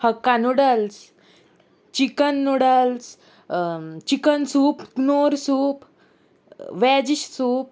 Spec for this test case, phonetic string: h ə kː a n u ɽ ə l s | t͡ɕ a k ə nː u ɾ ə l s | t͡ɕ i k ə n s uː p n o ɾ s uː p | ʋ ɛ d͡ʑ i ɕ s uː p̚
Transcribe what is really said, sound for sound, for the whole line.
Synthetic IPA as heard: h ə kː a n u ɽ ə l s | t͡ɕ i k ə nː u ɽ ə l s | t͡ɕ i k ə n s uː p n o ɾ s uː p | ʋ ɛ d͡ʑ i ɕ s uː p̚

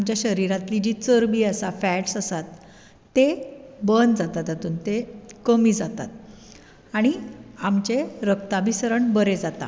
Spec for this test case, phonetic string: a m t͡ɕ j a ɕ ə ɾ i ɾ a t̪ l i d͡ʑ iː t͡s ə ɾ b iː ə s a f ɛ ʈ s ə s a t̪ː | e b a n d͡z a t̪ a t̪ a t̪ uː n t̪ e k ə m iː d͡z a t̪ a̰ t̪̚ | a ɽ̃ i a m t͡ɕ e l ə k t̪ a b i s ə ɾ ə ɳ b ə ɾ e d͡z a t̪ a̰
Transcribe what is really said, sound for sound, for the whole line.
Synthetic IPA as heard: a m t͡ɕ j a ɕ ə ɾ i ɾ a t̪ l i d͡ʑ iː t͡s ə ɾ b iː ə s a f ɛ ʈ s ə s a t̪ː | e b ə n d͡z a t̪ a t̪ a t̪ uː n t̪ e k ə m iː d͡z a t̪ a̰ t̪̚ | a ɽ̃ i a m t͡ɕ e ɾ ə k t̪ a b i s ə ɾ ə ɳ b ə ɾ e d͡z a t̪ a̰

